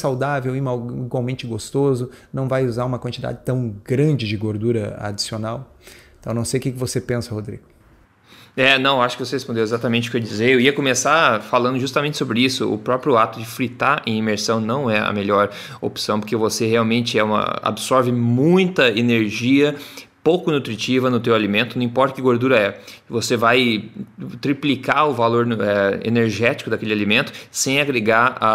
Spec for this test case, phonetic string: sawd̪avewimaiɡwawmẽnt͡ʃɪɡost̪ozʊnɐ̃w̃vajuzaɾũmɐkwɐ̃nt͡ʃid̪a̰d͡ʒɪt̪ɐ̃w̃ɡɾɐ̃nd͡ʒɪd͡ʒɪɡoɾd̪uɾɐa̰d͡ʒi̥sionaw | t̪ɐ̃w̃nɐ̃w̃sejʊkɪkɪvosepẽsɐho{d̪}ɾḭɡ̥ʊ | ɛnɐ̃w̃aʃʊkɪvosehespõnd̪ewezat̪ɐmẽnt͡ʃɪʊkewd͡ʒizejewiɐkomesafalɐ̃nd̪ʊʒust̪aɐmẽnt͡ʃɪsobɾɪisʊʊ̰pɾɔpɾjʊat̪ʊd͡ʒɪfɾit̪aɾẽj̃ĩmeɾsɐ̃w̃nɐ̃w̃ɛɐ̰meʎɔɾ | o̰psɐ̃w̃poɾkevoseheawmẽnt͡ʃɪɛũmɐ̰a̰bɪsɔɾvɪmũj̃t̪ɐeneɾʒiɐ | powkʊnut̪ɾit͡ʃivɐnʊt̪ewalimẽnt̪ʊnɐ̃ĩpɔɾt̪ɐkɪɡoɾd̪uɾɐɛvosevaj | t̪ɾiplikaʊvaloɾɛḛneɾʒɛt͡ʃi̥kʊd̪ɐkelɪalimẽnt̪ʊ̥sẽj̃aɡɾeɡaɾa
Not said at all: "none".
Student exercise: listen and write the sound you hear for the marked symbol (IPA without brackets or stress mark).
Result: d̪